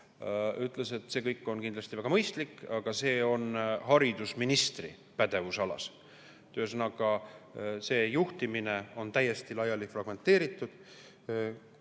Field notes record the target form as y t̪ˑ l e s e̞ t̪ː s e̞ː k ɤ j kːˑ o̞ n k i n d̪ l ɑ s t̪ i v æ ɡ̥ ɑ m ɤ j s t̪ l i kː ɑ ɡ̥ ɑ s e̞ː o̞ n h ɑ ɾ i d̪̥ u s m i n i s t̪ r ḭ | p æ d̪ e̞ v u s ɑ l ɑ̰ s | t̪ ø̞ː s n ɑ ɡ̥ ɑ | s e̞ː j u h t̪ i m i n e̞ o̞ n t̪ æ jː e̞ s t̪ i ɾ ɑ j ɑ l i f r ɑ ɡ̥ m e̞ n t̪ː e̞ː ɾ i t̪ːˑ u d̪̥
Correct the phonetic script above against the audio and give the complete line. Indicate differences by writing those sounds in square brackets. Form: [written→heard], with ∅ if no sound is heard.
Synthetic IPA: y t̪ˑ l e s e̞ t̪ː s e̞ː k ɤ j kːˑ o̞ n k i n d̪ l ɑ s t̪ i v æ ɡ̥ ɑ m ɤ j s t̪ l i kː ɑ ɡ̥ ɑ s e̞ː o̞ n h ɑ ɾ i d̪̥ u s m i n i s t̪ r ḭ | p æ d̪ e̞ v u s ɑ l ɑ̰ s | t̪ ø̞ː s n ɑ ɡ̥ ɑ | s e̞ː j u h t̪ i m i n e̞ o̞ n t̪ æ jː e̞ s t̪ i [ɾ→l] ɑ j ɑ l i f r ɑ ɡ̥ m e̞ n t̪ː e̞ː ɾ i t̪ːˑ u d̪̥